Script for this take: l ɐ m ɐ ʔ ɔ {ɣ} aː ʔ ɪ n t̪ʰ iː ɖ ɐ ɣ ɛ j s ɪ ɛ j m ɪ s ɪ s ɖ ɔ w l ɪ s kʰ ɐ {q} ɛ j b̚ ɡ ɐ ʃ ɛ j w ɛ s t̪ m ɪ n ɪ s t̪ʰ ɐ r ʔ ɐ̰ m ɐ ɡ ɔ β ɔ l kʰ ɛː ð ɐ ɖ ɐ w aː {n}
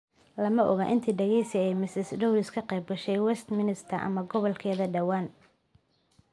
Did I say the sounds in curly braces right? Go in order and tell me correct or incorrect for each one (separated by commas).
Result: correct, correct, correct